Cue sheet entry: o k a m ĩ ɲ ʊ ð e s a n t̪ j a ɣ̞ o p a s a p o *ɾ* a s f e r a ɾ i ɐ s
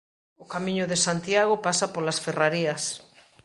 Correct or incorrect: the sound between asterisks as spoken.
incorrect: l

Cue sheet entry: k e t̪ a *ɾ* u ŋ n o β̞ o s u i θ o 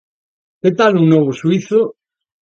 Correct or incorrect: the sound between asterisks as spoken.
incorrect: l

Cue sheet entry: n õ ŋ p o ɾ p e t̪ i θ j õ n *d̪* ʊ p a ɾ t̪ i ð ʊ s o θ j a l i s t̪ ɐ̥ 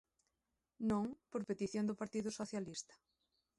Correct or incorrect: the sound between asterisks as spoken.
correct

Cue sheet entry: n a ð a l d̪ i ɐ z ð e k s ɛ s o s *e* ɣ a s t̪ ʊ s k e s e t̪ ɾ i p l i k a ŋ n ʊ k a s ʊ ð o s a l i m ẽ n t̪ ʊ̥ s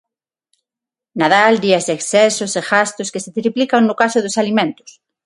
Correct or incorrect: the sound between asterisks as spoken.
correct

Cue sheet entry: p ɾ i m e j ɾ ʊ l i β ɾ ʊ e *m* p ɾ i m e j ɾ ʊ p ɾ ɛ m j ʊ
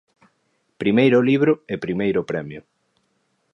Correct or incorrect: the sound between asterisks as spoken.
incorrect: none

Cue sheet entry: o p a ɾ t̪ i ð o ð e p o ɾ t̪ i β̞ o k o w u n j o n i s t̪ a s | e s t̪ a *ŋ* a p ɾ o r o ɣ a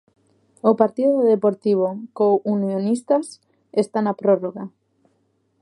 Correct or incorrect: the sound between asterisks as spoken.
incorrect: n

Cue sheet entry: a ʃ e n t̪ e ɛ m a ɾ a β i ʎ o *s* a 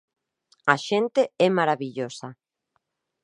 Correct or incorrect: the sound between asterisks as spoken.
correct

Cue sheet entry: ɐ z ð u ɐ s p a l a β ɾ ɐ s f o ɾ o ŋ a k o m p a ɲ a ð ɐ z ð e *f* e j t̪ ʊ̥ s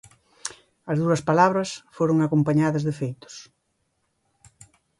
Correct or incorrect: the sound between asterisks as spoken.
correct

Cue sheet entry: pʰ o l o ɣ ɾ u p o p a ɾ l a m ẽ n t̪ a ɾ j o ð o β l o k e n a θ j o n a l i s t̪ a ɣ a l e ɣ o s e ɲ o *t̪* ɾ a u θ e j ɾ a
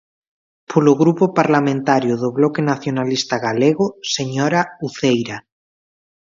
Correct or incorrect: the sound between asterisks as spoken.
incorrect: none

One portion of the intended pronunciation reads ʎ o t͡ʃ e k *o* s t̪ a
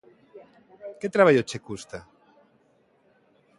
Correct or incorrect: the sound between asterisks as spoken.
incorrect: u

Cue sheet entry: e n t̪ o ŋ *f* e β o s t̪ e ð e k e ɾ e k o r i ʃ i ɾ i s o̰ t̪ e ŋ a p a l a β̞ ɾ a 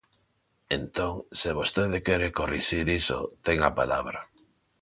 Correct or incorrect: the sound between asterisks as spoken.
incorrect: s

